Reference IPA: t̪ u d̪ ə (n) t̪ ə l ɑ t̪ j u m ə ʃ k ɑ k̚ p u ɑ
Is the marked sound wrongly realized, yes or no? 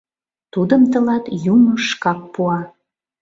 yes